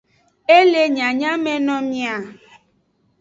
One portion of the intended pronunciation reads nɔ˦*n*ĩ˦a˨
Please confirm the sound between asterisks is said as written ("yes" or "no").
no